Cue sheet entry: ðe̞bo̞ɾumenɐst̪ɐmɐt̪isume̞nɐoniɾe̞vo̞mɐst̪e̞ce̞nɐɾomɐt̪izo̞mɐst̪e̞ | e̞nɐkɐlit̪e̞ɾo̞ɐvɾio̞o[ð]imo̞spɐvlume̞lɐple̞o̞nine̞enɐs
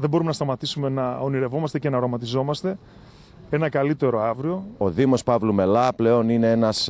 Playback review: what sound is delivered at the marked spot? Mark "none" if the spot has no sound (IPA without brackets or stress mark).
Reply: ð